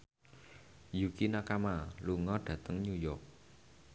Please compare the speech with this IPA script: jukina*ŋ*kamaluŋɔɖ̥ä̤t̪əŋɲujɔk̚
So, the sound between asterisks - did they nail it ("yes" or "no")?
no